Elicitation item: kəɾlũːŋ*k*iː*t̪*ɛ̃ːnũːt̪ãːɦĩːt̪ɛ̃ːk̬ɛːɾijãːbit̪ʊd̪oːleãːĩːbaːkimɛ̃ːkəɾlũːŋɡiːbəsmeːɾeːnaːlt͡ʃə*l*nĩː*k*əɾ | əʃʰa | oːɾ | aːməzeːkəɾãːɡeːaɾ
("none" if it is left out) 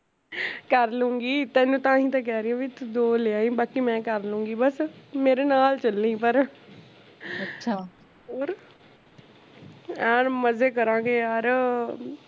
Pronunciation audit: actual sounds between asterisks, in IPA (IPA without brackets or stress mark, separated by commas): ɡ, t̪, l, p